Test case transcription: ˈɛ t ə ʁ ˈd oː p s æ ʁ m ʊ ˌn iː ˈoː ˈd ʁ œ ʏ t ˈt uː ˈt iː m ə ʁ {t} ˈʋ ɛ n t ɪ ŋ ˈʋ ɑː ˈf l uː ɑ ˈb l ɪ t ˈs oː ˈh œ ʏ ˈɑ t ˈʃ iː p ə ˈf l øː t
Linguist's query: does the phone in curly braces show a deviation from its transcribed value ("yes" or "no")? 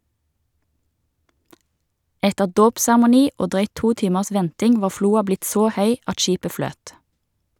yes